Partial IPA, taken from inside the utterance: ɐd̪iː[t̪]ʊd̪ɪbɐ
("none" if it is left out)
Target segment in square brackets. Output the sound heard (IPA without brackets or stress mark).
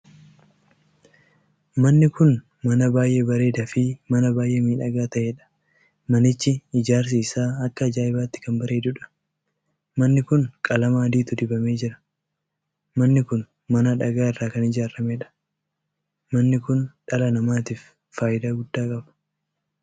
t̪